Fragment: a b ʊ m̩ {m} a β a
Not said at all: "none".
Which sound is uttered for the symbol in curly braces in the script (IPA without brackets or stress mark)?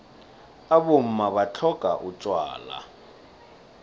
m